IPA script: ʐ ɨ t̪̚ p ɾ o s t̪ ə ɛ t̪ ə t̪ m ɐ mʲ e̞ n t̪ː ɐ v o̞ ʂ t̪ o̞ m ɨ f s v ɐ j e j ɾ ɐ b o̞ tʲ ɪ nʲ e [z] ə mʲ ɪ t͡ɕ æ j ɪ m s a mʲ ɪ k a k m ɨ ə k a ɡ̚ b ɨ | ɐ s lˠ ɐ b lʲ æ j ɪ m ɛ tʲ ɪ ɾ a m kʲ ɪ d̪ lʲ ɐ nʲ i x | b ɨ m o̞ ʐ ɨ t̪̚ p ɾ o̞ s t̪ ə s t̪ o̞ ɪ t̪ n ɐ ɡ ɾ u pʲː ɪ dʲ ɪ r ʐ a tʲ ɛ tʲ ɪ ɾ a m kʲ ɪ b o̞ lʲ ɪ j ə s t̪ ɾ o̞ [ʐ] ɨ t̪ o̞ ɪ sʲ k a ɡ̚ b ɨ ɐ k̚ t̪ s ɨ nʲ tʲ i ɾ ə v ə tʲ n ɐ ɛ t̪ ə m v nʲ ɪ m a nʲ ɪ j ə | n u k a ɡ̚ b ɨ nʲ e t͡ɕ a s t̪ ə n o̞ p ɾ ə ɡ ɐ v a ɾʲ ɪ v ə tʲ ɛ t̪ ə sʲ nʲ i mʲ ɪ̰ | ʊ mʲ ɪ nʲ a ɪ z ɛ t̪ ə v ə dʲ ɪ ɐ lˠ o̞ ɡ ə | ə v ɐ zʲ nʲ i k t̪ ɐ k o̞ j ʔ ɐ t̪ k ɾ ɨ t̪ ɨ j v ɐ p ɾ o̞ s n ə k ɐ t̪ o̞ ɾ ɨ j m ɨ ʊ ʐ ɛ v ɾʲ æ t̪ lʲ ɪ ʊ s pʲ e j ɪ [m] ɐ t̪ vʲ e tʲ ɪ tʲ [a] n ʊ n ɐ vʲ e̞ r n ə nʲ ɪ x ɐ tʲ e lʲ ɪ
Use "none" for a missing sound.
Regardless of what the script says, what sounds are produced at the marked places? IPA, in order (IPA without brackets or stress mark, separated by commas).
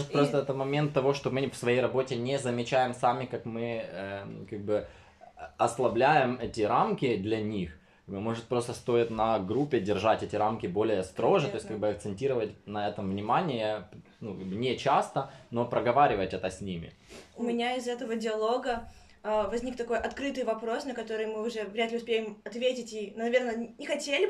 z, ʐ, m, i